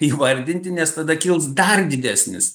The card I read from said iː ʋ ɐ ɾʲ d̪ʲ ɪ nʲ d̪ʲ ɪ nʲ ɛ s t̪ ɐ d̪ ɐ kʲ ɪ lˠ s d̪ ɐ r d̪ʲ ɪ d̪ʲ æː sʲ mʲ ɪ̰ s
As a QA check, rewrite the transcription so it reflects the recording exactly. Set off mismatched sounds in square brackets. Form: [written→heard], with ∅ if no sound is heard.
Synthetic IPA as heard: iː ʋ ɐ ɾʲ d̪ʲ ɪ nʲ [d̪ʲ→t̪ʲ] ɪ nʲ ɛ s t̪ ɐ d̪ ɐ kʲ ɪ lˠ s d̪ ɐ r d̪ʲ ɪ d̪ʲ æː sʲ [mʲ→nʲ] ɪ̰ s